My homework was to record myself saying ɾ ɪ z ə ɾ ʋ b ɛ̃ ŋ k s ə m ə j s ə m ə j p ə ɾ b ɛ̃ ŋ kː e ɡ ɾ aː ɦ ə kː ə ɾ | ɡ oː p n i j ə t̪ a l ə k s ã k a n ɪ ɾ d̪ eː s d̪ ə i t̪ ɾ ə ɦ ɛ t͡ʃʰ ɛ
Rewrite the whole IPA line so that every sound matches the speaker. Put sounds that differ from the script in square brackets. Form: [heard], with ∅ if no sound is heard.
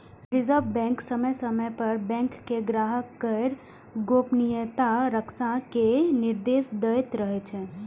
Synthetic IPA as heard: ɾ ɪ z ə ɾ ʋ b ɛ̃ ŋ k s ə m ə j s ə m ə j p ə ɾ b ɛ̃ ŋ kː e ɡ ɾ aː ɦ ə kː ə ɾ | ɡ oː p n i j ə t̪ a [ɾ] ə k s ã k [e] n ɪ ɾ d̪ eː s d̪ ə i t̪ ɾ ə ɦ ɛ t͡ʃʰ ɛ